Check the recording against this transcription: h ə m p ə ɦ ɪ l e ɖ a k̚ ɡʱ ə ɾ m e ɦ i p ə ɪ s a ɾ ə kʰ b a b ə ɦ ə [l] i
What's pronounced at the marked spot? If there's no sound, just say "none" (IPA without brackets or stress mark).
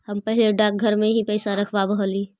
l